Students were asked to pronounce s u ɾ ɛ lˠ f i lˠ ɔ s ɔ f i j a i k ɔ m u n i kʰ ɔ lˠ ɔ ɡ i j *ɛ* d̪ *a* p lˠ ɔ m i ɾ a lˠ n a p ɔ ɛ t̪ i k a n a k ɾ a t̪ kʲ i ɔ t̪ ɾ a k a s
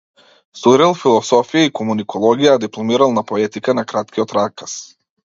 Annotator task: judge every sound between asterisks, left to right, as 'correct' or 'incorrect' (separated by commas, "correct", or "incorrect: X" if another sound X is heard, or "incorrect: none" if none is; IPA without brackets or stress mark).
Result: incorrect: a, incorrect: i